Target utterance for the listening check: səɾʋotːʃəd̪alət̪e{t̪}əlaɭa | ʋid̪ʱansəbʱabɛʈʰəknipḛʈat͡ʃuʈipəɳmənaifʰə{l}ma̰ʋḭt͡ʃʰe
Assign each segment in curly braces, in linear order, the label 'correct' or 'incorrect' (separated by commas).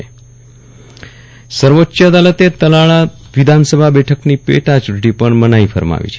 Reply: correct, incorrect